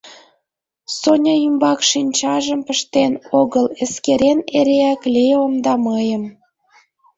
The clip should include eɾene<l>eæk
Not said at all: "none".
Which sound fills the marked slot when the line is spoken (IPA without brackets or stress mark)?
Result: ɾ